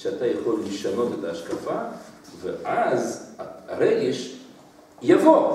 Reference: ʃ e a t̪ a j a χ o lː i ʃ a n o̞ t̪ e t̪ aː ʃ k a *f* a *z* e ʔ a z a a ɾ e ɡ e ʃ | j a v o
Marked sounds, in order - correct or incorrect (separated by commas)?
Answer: correct, incorrect